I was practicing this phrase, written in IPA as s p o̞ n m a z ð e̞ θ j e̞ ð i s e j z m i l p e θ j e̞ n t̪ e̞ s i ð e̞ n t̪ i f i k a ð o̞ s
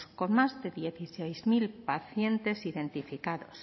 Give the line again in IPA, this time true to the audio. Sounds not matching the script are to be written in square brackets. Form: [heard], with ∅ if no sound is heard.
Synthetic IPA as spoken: s [k] o̞ n m a z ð e̞ [ð] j e̞ [θ] i s e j z m i l p [a] θ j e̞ n t̪ e̞ s i ð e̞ n t̪ i f i k a ð o̞ s